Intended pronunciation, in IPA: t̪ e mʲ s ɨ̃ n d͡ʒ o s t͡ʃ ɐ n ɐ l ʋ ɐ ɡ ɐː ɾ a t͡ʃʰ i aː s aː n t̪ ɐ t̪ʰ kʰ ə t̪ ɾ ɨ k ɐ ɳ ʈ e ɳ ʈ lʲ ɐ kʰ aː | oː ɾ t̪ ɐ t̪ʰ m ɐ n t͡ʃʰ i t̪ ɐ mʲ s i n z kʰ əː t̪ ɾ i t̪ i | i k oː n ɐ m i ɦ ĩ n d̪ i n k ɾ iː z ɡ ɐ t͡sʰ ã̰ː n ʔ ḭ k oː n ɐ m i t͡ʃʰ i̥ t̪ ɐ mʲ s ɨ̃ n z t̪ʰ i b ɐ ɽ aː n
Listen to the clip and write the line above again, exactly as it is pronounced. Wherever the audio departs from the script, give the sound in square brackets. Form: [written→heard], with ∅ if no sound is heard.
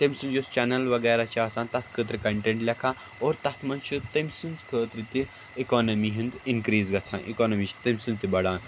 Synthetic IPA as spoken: t̪ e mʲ s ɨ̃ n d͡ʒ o s t͡ʃ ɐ n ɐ l ʋ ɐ ɡ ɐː ɾ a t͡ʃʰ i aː s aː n t̪ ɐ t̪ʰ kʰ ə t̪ ɾ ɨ k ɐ ɳ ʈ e ɳ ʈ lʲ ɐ kʰ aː | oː ɾ t̪ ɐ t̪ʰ m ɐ n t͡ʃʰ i t̪ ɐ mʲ s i n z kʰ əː t̪ ɾ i t̪ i | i k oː n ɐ m i ɦ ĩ n d̪ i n k ɾ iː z ɡ ɐ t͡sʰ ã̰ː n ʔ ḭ k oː n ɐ m i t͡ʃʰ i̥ t̪ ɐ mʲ s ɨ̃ n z [t̪ʰ→t̪] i b ɐ ɽ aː n